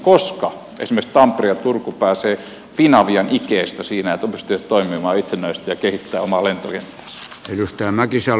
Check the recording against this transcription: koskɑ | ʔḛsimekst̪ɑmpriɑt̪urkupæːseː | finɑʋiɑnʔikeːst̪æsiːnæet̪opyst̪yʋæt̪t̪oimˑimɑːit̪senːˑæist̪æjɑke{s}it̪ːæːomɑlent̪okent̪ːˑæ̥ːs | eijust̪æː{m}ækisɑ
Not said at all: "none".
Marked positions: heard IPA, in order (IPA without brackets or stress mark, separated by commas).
h, m